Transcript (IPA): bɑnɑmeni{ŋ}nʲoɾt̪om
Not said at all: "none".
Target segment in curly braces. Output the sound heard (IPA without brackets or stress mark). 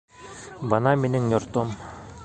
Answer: ŋ